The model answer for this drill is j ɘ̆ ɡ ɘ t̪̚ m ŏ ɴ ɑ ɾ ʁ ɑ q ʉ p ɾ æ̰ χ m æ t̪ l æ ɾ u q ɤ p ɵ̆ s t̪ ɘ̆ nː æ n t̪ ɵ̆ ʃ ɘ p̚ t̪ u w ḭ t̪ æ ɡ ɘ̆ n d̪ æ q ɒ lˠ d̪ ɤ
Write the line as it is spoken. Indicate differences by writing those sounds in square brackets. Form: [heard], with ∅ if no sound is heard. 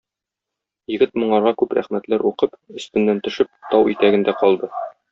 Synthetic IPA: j ɘ̆ ɡ ɘ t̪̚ m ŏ ɴ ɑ ɾ ʁ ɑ [k] ʉ p ɾ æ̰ χ m æ t̪ l æ ɾ u q ɤ p ɵ̆ s t̪ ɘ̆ nː æ n t̪ ɵ̆ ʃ ɘ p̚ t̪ [ɒ] w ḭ t̪ æ ɡ ɘ̆ n d̪ æ q ɒ lˠ d̪ ɤ